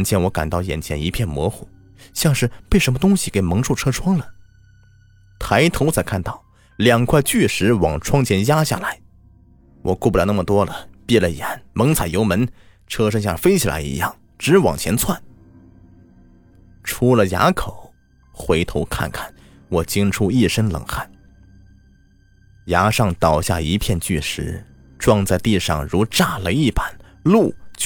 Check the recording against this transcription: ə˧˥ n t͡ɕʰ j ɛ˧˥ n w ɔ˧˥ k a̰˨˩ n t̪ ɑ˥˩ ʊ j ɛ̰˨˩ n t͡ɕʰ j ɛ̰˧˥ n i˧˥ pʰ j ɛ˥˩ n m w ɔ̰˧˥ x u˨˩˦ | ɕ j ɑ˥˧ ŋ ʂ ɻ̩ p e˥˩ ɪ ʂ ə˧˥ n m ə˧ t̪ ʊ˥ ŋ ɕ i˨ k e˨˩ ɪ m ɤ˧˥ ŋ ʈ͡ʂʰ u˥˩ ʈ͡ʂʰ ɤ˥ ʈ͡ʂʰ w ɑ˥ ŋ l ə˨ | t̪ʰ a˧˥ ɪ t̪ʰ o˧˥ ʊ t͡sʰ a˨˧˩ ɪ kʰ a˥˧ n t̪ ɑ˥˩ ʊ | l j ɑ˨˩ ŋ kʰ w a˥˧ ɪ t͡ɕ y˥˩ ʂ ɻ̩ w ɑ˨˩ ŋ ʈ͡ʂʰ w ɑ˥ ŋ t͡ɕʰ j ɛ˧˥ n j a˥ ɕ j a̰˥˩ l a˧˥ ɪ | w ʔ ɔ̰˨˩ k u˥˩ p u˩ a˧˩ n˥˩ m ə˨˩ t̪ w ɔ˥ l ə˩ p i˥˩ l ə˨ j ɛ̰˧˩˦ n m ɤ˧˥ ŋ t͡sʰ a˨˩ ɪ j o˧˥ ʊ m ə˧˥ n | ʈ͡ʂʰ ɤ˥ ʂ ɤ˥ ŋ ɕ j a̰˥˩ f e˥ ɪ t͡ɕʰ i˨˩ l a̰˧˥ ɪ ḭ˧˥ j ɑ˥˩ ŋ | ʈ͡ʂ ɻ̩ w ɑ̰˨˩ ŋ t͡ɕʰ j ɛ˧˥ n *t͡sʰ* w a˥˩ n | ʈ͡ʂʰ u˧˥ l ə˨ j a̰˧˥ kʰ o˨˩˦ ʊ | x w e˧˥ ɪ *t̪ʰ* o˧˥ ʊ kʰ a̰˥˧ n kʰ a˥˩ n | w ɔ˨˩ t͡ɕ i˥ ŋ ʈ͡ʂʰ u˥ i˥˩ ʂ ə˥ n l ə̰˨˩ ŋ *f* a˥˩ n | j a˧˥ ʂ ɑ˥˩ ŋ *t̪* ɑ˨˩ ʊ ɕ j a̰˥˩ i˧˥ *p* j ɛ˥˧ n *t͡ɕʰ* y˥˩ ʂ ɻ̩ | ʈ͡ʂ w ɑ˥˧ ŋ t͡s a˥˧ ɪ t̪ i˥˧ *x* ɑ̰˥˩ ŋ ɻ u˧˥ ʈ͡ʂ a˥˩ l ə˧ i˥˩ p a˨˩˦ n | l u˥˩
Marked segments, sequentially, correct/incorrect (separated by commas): correct, correct, incorrect, correct, incorrect, incorrect, incorrect